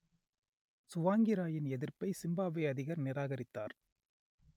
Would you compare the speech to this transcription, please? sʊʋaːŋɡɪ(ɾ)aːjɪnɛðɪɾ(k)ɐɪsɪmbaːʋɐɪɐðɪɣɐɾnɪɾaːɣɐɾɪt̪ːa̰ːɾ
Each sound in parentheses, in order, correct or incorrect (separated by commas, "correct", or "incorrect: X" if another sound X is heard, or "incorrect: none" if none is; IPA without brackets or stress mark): correct, incorrect: p